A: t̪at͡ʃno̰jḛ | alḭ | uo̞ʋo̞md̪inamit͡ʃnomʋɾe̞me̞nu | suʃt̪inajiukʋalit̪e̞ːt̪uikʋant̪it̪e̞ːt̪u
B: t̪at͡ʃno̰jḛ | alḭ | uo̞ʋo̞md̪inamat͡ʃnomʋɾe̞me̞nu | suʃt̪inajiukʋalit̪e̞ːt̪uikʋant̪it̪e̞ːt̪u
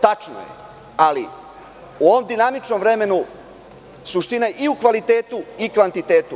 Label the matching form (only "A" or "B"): A